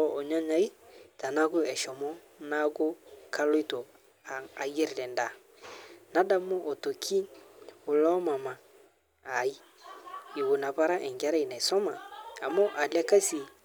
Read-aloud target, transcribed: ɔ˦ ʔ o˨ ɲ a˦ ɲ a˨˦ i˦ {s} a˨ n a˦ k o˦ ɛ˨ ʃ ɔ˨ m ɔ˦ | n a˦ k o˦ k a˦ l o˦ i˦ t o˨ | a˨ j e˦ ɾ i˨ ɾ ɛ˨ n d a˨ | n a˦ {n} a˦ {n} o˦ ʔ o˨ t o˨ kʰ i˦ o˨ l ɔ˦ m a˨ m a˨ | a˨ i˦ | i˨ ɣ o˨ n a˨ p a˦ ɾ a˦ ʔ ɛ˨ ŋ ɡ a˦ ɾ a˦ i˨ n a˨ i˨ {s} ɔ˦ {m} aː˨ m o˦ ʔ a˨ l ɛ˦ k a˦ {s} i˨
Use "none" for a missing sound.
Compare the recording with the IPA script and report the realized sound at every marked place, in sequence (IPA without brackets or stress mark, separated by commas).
t, d, m, s, m, s